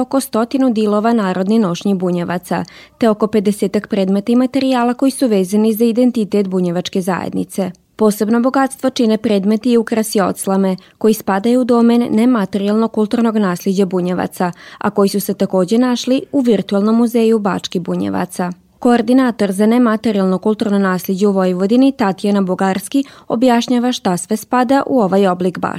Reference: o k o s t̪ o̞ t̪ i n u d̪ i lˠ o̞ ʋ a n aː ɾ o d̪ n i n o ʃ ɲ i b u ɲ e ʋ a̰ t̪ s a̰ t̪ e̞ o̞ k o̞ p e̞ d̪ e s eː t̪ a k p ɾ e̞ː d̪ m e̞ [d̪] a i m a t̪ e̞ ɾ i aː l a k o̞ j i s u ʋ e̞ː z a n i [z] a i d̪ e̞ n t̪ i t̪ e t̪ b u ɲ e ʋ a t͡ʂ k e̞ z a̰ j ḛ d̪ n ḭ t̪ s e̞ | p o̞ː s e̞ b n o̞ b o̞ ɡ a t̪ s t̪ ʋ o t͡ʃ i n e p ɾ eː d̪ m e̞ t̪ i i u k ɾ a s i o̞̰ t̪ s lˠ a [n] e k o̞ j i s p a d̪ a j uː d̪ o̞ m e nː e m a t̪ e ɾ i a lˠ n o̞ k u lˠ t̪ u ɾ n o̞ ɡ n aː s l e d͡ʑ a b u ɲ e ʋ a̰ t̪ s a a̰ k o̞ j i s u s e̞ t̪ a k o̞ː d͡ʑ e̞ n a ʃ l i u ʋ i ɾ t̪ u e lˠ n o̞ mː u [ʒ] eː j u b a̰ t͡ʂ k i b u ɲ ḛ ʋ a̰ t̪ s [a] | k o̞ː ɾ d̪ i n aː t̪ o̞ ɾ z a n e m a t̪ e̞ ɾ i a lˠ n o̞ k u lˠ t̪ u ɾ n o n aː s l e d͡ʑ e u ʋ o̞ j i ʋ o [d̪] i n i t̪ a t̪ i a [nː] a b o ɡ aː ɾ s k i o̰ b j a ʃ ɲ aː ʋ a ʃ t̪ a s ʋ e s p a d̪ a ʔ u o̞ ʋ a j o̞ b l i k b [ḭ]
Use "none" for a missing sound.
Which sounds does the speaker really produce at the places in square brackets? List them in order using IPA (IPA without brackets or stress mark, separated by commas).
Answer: t̪, z, m, z, a, d̪, n, a̰